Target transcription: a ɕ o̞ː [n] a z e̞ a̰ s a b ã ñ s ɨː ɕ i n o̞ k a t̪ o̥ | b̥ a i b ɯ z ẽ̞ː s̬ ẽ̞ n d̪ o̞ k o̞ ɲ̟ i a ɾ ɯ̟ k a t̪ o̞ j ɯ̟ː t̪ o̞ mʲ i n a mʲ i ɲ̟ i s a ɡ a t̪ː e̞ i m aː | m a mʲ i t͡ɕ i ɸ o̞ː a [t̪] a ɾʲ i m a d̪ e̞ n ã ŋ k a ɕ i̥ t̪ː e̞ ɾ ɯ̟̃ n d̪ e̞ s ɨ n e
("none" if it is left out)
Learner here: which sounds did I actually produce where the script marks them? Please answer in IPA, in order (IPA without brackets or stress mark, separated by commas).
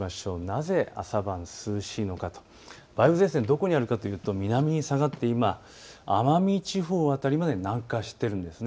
n, t̪